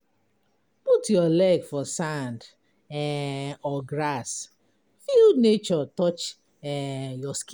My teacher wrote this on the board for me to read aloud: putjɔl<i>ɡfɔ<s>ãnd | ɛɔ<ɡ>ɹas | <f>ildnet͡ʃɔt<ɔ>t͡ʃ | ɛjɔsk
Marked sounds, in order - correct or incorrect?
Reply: incorrect: ɛ, correct, correct, correct, correct

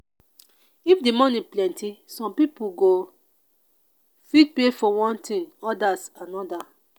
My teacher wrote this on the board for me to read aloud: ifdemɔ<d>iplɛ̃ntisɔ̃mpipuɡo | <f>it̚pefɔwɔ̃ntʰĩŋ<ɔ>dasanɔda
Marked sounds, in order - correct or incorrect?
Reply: incorrect: n, correct, correct

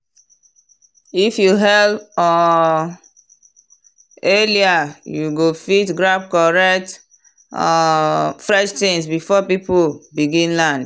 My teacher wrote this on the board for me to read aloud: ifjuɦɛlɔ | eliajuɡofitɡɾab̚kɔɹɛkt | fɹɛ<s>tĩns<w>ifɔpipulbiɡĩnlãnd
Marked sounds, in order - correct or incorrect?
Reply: incorrect: ʃ, incorrect: b

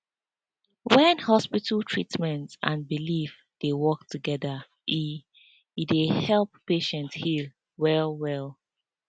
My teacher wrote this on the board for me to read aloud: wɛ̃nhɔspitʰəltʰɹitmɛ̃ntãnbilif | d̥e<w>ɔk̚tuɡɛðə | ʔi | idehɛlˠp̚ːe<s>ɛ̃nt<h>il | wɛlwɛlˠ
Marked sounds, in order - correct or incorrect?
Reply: correct, incorrect: ʃ, correct

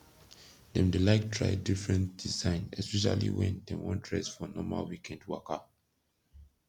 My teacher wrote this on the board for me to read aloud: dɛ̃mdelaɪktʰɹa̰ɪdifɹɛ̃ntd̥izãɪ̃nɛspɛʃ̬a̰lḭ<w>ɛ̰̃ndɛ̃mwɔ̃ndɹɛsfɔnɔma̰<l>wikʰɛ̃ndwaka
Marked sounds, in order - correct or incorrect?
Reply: correct, correct

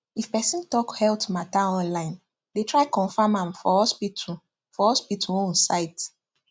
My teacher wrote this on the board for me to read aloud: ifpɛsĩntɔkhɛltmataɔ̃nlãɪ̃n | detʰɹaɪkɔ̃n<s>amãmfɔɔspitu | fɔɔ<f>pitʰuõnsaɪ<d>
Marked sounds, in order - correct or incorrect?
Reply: incorrect: f, incorrect: s, incorrect: t

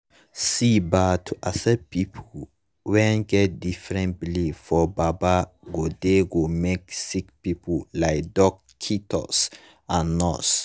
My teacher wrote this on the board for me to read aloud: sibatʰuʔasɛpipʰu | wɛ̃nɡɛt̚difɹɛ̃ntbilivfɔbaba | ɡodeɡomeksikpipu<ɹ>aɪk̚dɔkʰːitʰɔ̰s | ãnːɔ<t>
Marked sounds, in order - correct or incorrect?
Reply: incorrect: l, incorrect: s

